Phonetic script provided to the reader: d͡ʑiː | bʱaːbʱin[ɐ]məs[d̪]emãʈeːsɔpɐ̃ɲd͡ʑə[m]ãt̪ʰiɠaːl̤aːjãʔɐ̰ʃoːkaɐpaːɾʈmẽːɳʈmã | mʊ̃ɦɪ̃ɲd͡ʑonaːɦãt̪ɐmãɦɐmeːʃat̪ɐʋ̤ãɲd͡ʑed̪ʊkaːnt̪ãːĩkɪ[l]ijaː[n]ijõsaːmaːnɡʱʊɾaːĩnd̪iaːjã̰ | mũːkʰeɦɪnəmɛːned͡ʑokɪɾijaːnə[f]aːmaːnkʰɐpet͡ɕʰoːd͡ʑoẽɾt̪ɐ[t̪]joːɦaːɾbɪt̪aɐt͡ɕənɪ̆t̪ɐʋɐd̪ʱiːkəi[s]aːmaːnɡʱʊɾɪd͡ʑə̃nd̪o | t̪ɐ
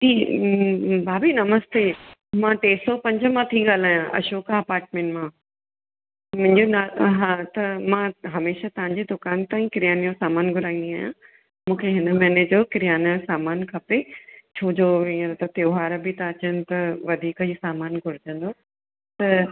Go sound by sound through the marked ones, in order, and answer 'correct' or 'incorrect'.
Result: correct, incorrect: t̪, correct, incorrect: ɾ, correct, incorrect: s, correct, correct

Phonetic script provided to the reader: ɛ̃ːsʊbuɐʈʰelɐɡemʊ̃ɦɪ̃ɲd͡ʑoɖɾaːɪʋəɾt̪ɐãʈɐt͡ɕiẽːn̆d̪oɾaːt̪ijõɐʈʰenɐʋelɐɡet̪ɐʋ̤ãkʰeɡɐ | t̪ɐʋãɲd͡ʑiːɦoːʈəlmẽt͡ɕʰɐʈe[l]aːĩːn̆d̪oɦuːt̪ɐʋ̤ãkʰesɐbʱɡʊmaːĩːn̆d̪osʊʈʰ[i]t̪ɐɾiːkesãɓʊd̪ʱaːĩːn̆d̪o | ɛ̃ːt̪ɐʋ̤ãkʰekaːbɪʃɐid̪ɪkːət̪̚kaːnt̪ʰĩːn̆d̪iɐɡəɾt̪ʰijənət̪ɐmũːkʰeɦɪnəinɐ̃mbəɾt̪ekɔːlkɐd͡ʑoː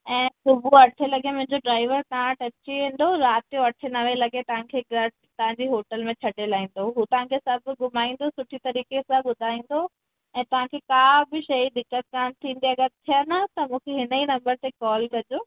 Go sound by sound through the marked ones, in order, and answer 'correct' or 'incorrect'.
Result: correct, correct

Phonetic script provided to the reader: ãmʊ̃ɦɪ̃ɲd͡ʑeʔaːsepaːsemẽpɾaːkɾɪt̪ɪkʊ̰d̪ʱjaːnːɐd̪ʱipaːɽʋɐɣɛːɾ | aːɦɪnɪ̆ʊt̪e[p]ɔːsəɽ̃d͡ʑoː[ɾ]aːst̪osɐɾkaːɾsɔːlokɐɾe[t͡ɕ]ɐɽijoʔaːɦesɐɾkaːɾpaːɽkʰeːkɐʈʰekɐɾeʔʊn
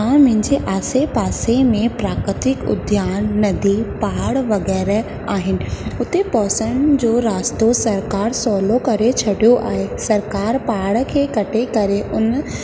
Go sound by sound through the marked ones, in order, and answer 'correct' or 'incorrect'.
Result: correct, correct, incorrect: t͡ɕʰ

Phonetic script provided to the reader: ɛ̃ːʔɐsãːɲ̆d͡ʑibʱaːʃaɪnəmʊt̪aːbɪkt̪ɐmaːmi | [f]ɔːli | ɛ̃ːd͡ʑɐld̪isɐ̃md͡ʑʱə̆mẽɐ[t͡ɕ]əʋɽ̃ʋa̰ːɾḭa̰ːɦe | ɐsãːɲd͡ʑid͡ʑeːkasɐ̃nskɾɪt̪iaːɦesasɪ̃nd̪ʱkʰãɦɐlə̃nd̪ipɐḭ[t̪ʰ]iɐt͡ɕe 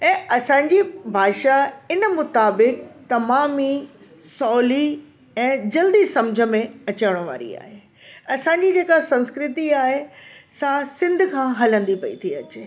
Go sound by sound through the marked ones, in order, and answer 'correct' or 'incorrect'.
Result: incorrect: s, correct, correct

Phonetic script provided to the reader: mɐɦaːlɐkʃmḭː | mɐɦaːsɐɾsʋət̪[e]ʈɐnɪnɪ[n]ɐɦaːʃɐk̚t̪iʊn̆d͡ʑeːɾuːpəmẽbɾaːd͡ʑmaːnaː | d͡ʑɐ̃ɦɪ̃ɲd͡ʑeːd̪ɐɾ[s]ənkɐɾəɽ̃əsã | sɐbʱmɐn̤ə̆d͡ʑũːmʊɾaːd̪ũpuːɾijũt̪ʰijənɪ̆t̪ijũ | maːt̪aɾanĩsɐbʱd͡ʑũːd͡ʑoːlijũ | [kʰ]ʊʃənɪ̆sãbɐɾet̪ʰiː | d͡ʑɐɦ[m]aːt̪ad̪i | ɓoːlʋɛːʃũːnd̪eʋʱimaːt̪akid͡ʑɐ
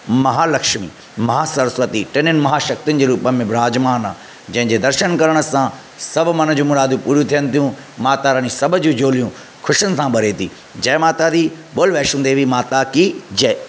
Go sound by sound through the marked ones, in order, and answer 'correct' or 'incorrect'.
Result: incorrect: i, incorrect: m, incorrect: ʃ, correct, correct

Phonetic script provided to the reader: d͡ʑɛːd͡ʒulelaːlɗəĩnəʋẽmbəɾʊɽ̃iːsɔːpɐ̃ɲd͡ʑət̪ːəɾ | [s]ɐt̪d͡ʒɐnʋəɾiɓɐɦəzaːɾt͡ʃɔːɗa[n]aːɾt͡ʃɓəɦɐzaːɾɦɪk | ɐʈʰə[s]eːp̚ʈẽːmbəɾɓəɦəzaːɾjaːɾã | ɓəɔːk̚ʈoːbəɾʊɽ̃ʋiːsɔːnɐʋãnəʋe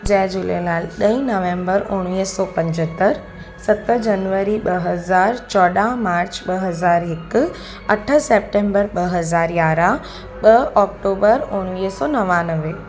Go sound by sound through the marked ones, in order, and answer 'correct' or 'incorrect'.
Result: correct, incorrect: m, correct

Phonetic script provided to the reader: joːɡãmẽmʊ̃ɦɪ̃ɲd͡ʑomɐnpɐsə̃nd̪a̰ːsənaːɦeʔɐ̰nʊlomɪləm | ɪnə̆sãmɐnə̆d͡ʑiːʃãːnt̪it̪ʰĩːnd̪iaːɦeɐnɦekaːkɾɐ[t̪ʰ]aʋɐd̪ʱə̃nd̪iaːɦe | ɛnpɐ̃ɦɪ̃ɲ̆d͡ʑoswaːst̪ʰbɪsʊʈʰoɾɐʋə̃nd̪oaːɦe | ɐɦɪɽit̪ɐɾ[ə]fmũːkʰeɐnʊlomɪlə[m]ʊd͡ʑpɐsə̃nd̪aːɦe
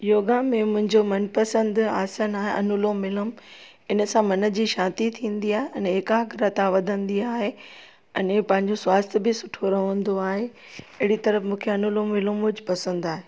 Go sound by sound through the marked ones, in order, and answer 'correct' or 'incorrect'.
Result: incorrect: t̪, correct, correct

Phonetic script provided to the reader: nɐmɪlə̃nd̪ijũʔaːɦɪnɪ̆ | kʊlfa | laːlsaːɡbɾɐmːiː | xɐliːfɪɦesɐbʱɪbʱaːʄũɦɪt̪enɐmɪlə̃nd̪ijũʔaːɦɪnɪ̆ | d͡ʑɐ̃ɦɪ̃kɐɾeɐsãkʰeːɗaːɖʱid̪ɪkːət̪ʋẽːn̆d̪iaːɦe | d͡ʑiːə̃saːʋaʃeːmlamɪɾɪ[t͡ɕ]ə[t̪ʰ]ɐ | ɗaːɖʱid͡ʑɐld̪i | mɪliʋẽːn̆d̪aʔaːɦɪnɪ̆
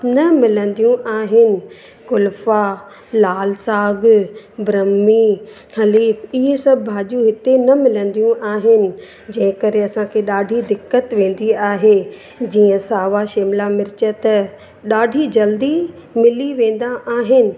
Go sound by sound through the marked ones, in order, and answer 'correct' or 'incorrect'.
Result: correct, incorrect: t̪

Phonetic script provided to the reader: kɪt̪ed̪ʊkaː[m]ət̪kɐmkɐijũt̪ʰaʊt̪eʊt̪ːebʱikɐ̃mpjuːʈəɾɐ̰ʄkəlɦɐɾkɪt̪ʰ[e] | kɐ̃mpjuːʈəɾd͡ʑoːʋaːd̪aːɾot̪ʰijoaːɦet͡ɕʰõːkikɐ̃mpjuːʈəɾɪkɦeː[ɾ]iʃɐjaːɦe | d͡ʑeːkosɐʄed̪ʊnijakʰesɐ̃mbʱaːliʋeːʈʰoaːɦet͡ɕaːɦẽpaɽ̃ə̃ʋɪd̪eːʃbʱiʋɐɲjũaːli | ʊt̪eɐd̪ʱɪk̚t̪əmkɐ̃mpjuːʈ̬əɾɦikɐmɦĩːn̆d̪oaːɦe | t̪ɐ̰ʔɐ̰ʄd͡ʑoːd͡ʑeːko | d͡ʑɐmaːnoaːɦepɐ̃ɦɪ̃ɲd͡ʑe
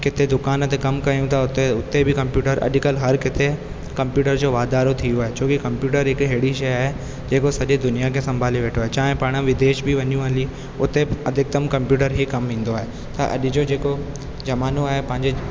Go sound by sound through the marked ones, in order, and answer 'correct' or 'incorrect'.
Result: incorrect: n, correct, incorrect: ɽ

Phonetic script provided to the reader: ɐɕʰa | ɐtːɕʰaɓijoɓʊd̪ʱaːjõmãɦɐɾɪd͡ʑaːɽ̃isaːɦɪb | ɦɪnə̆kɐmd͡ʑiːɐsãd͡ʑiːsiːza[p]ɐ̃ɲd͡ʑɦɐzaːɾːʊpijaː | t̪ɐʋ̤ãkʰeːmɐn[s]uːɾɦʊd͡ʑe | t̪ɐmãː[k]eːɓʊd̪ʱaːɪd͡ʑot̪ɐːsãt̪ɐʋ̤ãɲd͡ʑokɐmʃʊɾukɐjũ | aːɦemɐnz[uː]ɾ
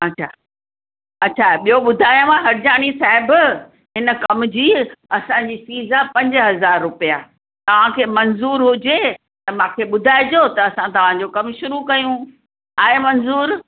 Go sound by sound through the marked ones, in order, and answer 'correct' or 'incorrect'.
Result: correct, incorrect: z, incorrect: kʰ, correct

